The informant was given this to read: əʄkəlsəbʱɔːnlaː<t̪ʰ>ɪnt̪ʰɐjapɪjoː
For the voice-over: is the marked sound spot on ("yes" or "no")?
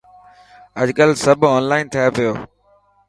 no